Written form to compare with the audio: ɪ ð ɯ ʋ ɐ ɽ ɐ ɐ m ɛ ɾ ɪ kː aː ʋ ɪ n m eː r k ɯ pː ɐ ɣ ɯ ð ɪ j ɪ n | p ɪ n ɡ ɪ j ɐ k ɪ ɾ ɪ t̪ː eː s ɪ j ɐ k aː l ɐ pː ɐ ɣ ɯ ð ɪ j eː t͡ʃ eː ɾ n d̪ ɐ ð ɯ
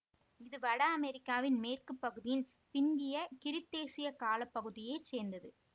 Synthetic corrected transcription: ɪ ð ɯ ʋ ɐ ɽ ɐ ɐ m ɛ ɾ ɪ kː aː ʋ ɪ n m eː r k ɯ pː ɐ ɣ ɯ ð ɪ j ɪ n | p ɪ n ɡ ɪ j ɐ k ɪ ɾ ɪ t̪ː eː s ɪ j ɐ k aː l ɐ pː ɐ ɣ ɯ ð ɪ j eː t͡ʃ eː ɾ n d̪ ɐ ð ɯ